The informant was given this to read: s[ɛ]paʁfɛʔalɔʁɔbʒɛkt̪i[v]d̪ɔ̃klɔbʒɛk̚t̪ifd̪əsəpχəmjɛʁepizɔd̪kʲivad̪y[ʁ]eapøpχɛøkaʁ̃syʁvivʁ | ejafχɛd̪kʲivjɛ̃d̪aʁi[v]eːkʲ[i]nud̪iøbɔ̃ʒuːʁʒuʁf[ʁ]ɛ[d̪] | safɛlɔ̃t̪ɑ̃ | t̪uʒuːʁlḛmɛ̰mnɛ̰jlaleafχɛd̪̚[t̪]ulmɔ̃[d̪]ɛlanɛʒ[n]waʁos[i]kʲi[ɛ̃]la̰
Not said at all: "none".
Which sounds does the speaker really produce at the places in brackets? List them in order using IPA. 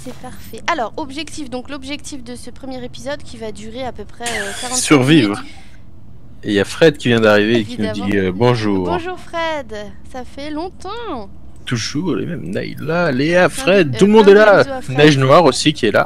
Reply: ɛ, f, ʁ, v, i, χ, d̪, t̪, d̪, n, i, ɛ

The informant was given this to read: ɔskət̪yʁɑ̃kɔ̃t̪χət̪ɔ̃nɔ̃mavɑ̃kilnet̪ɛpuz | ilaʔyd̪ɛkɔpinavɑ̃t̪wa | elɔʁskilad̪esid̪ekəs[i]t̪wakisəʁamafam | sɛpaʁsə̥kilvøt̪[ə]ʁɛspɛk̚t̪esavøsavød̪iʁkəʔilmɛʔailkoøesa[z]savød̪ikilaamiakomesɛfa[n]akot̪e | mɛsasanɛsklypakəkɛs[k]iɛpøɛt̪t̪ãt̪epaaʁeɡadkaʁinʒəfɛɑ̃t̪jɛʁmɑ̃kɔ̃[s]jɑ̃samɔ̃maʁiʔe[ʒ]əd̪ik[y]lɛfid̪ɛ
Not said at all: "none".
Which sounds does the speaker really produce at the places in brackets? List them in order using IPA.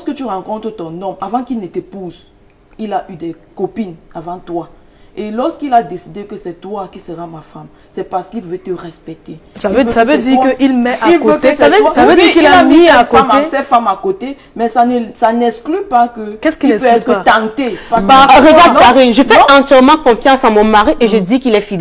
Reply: ɛ, ə, v, m, k, f, ʒ, i

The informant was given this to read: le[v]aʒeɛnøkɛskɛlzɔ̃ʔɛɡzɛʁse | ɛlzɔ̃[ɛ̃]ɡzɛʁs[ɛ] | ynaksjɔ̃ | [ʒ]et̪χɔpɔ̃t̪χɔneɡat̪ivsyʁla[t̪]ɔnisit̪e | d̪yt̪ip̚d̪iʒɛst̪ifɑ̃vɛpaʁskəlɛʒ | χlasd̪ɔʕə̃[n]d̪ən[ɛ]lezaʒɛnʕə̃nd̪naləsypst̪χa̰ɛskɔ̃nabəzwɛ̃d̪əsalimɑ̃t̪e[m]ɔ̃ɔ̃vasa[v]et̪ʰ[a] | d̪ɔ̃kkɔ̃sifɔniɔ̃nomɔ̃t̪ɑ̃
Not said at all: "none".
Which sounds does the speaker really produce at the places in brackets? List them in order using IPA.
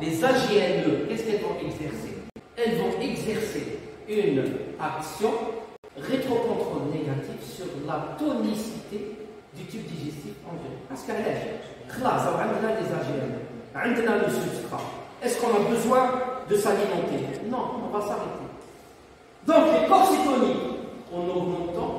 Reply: z, ɛ, e, ʁ, t̪, n, a, n, ʁ, e

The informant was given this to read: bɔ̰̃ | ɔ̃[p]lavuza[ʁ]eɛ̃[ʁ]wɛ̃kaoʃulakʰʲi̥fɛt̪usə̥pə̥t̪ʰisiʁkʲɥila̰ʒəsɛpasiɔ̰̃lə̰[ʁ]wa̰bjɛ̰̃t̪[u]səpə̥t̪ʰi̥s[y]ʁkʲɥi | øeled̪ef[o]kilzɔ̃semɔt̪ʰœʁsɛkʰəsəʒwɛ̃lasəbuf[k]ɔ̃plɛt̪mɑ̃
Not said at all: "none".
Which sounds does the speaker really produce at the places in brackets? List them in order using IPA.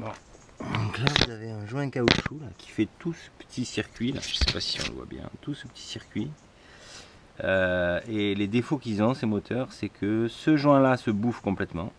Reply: k, v, ʒ, v, u, i, o, k

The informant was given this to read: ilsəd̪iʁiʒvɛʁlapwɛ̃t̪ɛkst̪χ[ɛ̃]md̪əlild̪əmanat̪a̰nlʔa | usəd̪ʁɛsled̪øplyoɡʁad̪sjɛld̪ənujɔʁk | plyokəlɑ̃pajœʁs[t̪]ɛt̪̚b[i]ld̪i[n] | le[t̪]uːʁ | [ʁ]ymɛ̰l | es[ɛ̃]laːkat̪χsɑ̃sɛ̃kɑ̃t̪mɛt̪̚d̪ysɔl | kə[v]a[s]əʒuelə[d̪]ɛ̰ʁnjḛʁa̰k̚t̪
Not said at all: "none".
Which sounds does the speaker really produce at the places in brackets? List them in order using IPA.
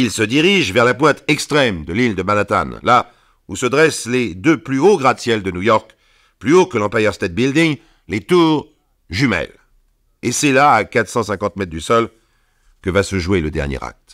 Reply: ɛ, t̪, i, ŋ, t̪, ʒ, ɛ, v, s, d̪

